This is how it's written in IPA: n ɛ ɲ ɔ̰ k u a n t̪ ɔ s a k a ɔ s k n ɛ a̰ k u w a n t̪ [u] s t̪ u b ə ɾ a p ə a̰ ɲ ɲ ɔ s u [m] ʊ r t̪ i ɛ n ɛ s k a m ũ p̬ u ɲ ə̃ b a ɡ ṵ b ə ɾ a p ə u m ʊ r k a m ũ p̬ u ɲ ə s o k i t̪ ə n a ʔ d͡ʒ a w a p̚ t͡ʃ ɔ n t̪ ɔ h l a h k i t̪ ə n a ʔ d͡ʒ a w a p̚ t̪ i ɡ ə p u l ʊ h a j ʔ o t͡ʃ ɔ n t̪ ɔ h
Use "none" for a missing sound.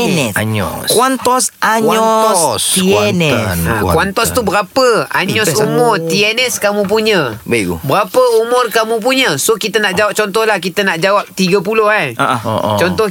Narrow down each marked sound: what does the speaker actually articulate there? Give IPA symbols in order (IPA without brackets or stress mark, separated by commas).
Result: ɔ, m